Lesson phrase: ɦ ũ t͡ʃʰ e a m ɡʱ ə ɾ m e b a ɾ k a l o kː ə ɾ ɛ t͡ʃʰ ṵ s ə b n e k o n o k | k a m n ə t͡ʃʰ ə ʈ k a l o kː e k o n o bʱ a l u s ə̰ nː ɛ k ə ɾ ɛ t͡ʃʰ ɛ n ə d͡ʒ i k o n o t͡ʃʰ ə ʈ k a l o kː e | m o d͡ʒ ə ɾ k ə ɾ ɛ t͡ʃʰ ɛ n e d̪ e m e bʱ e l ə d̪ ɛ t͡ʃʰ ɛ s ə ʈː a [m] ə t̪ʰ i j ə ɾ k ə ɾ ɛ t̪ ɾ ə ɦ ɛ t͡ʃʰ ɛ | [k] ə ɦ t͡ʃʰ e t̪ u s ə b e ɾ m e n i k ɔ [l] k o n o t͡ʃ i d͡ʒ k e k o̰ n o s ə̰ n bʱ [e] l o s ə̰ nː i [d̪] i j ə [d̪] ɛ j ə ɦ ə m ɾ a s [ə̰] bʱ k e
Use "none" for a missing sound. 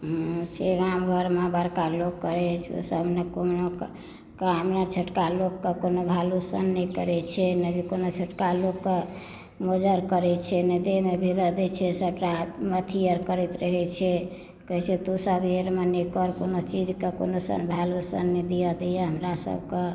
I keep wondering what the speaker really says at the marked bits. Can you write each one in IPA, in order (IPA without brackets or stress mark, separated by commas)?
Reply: m, k, ɾ, a, d̪, d̪, ə̰